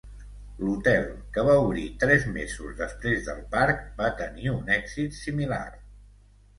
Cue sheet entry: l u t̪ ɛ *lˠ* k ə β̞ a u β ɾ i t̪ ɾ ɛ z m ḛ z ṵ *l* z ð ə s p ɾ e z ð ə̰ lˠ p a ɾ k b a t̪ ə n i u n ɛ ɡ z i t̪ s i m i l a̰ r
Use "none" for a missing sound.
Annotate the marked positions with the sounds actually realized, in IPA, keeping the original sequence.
lˠ, none

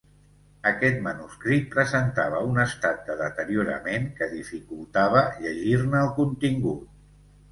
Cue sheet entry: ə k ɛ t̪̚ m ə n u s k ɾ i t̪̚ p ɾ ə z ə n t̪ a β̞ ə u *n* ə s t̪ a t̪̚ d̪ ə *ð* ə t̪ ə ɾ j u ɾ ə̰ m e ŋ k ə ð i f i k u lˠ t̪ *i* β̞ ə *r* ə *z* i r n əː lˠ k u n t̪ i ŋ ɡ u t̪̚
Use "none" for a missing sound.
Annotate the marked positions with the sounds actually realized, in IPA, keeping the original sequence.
n, ð, a, ʎ, ʒ

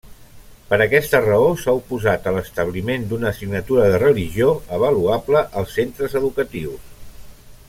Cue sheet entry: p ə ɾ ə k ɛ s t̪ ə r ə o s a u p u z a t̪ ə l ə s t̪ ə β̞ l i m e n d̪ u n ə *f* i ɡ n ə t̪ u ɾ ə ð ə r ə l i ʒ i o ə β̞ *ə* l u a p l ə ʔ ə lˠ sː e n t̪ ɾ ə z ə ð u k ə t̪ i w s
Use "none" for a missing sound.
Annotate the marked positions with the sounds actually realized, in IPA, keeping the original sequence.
s, ə

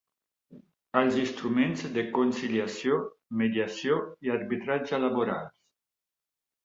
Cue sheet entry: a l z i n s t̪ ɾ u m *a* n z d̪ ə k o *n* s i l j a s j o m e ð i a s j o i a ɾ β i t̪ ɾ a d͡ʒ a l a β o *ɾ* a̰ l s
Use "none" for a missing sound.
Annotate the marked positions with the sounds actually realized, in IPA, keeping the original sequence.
e, n, ɾ

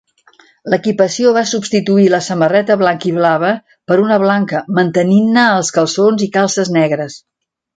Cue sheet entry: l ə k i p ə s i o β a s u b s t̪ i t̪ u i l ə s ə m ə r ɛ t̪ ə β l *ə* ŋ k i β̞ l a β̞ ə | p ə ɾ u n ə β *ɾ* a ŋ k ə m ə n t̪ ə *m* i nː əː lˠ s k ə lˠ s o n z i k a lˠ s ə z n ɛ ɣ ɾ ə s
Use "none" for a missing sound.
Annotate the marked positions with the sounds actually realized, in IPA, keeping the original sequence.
a, l, n

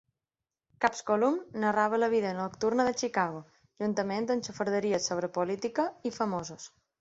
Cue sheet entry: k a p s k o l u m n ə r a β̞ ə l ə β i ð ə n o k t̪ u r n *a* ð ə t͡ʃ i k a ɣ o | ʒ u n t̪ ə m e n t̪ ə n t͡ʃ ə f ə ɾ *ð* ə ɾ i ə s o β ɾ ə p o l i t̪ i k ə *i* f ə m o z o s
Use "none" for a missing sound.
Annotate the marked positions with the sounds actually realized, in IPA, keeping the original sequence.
ə, ð, i

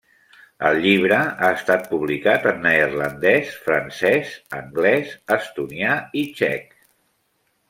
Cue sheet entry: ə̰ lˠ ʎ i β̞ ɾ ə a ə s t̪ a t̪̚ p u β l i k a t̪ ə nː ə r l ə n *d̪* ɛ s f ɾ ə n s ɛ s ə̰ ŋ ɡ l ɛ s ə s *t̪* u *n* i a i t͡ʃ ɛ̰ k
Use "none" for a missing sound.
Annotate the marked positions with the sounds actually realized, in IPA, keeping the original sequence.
d̪, t̪, n

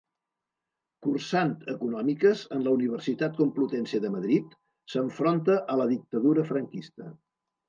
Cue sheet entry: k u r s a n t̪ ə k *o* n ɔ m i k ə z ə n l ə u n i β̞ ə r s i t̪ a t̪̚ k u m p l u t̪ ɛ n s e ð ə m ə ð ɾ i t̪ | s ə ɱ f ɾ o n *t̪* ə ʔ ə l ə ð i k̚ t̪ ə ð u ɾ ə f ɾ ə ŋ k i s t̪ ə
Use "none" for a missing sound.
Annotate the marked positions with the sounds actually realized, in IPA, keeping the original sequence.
u, t̪

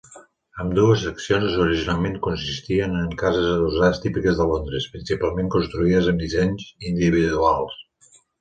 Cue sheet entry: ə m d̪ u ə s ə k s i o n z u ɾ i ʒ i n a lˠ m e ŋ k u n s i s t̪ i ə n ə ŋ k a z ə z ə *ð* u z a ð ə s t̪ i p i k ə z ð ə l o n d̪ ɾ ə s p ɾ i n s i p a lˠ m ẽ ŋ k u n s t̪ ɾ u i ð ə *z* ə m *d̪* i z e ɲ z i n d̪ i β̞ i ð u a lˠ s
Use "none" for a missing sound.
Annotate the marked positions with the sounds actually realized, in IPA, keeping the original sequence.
ð, z, d̪

